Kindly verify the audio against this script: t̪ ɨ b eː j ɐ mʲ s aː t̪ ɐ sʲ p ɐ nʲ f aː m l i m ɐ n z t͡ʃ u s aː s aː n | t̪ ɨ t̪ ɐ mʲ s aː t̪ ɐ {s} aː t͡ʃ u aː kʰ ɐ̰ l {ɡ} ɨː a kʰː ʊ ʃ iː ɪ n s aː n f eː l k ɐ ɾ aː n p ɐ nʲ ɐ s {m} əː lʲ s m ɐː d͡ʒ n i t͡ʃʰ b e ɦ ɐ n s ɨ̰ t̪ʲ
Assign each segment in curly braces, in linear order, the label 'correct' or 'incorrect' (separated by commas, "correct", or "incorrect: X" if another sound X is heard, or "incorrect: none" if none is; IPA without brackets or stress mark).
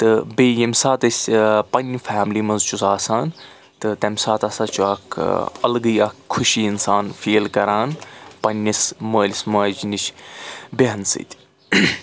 correct, correct, correct